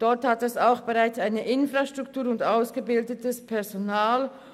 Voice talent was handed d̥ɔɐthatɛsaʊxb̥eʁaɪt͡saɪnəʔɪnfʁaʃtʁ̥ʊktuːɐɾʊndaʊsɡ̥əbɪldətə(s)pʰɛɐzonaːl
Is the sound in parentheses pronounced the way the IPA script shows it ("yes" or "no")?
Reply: yes